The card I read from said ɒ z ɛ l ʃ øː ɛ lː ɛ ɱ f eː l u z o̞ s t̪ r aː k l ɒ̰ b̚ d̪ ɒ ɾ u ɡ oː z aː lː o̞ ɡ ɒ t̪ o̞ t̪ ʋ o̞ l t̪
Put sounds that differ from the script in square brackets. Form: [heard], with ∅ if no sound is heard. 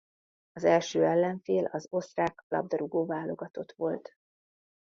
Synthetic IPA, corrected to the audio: ɒ z ɛ l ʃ øː ɛ lː ɛ ɱ f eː l [ɒ] z o̞ s t̪ r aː k l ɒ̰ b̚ d̪ ɒ ɾ u ɡ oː [v] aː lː o̞ ɡ ɒ t̪ o̞ t̪ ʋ o̞ l t̪